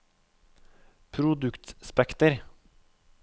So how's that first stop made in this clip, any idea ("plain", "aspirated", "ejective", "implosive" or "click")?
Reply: aspirated